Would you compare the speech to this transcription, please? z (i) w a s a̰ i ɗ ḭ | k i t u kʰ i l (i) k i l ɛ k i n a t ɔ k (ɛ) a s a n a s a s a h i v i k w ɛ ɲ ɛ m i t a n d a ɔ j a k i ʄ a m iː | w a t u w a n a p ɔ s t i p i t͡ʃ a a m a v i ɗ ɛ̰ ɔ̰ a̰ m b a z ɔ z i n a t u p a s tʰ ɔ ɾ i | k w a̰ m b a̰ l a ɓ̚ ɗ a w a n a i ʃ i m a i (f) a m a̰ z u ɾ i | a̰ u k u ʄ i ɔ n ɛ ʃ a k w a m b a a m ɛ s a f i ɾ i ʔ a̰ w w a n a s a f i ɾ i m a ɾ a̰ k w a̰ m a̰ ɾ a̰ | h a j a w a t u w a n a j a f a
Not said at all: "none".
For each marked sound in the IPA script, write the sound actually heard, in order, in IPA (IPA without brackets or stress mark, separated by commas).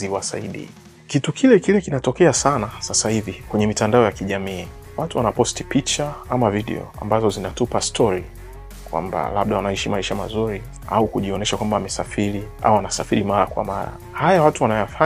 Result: i, ɛ, ɛ, ʃ